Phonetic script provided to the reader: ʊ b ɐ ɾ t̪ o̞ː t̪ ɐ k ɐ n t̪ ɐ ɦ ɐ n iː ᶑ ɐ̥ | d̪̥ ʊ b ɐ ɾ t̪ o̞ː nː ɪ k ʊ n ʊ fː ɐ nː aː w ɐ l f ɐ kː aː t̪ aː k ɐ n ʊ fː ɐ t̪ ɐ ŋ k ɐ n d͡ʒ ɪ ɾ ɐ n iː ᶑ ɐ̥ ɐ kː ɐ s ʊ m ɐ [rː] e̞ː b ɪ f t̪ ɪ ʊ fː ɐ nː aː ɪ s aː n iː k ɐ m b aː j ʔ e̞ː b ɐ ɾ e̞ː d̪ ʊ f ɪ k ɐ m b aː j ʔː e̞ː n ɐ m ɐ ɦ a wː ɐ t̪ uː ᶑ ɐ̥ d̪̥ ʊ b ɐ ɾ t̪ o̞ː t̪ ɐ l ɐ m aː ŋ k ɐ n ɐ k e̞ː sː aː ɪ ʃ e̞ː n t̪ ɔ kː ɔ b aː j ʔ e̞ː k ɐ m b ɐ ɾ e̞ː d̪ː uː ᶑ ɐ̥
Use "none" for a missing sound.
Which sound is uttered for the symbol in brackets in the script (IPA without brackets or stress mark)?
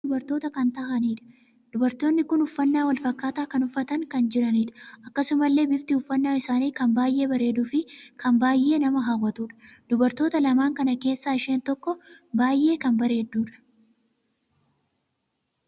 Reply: lː